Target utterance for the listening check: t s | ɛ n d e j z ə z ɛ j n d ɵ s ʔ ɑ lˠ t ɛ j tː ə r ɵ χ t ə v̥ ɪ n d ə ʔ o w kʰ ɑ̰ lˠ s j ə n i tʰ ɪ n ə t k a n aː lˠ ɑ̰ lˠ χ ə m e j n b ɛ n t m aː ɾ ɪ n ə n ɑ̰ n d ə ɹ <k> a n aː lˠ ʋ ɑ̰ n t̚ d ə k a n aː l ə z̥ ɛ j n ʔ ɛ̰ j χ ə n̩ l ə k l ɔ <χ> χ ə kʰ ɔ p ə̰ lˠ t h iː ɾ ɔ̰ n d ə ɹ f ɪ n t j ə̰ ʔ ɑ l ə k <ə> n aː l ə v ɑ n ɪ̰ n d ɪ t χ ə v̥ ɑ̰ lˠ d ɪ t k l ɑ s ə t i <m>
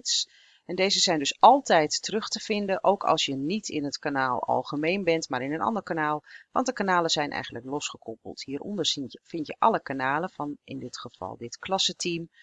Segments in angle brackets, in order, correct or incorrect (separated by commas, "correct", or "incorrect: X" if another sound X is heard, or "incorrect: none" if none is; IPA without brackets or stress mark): correct, incorrect: s, incorrect: a, correct